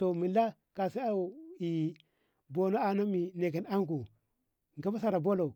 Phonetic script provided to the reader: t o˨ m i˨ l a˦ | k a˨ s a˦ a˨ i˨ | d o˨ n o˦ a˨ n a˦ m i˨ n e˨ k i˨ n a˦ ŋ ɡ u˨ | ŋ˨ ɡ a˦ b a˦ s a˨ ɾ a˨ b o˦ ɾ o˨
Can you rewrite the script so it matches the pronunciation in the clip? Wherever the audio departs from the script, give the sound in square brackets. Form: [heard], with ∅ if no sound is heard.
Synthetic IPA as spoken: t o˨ m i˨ l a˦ | k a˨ s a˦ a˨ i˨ | [b] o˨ n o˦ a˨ n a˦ m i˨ n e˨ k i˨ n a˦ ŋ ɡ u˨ | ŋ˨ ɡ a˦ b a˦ s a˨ ɾ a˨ b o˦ [l] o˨